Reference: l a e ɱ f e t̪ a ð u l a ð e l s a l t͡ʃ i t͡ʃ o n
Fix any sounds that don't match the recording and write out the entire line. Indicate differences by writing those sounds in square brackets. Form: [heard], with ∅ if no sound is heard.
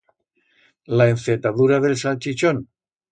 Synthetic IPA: l a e ɱ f e t̪ a ð u [ɾ] a ð e l s a l t͡ʃ i t͡ʃ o n